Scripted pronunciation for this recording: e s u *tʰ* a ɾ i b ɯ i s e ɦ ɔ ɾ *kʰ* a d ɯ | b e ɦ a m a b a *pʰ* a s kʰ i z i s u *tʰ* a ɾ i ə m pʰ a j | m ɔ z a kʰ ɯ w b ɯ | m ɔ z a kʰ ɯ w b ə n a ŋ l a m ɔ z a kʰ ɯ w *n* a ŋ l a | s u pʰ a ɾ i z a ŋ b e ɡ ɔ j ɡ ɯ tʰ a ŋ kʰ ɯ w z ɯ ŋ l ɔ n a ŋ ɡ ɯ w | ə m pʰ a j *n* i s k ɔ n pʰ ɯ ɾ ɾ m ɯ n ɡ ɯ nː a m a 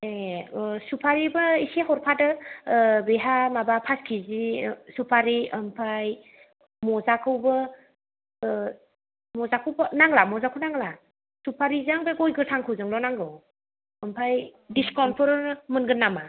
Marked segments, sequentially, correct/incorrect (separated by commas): incorrect, incorrect, correct, incorrect, correct, incorrect